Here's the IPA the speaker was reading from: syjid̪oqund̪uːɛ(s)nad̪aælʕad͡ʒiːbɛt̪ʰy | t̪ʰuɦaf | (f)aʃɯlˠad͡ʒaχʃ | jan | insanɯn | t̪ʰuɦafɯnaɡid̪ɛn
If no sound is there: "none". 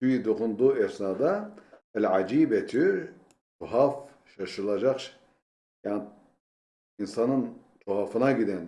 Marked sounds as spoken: s, ʃ

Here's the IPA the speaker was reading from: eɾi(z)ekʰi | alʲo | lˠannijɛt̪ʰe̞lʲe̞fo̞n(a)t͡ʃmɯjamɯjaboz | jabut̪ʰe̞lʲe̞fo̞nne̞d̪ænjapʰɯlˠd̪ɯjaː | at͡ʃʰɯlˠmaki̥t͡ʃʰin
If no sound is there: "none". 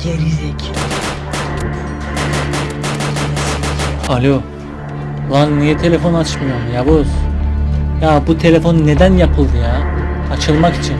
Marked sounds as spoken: z, a

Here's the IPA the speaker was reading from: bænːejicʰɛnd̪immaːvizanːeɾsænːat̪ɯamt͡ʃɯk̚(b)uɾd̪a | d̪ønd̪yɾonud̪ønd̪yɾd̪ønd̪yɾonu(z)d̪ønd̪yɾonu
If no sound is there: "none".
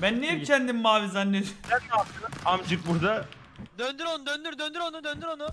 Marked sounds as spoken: b, none

